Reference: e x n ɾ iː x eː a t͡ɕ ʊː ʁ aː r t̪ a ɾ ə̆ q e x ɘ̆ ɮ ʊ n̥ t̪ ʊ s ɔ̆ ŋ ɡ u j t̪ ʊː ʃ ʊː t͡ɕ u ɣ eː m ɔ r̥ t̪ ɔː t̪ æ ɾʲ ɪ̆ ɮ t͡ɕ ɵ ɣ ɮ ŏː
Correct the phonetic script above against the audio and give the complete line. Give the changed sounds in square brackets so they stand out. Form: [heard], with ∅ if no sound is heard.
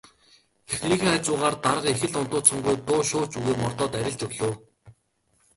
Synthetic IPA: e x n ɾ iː x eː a t͡ɕ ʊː ʁ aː r t̪ a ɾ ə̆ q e x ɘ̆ ɮ ʊ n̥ t̪ [ʊː] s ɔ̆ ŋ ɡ u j t̪ ʊː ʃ ʊː t͡ɕ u ɣ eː m ɔ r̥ t̪ ɔː t̪ æ ɾʲ ɪ̆ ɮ t͡ɕ ɵ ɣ ɮ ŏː